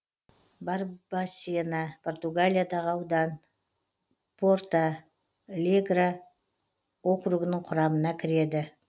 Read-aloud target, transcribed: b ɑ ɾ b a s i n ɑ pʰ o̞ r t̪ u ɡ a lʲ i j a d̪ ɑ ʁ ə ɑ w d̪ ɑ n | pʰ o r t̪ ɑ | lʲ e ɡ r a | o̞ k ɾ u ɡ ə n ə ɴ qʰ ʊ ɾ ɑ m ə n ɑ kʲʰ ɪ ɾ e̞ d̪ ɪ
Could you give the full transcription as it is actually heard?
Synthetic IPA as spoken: b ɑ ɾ b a s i n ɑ pʰ o̞ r t̪ u ɡ a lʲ i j a d̪ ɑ ʁ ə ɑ w d̪ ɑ n | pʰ o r t̪ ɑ | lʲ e ɡ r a | o̞ k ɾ u ɡ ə n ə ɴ qʰ ʊ ɾ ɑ m ə n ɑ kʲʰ ɪ ɾ e̞ d̪ ɪ